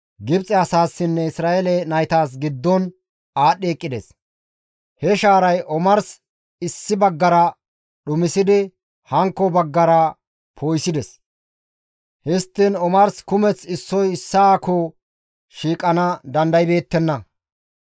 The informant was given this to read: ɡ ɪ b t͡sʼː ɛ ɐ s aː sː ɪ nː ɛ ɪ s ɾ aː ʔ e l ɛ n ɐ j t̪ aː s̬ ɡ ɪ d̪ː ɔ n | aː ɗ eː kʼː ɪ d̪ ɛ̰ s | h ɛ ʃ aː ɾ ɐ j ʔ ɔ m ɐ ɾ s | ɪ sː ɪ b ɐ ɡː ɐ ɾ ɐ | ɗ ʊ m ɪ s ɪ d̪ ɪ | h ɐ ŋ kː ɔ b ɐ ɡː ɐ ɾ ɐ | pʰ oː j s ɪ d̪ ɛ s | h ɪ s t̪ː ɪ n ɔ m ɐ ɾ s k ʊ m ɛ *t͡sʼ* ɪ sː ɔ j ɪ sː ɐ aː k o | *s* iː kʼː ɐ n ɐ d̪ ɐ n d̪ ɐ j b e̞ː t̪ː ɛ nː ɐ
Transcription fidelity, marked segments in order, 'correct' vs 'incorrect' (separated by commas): incorrect, incorrect